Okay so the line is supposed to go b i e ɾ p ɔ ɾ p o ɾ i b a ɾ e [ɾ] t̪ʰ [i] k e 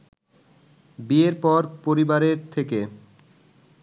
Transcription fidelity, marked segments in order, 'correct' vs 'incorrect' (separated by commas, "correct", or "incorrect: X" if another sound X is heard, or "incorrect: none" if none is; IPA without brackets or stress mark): correct, incorrect: e